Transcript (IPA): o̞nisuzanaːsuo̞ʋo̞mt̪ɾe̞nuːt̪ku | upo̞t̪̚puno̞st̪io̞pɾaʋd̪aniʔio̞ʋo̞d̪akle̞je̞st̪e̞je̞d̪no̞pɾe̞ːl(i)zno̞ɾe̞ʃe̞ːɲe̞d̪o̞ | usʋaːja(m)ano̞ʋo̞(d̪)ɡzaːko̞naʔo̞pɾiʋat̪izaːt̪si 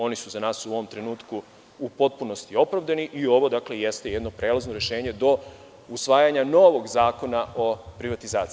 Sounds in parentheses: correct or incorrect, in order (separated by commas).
incorrect, incorrect, incorrect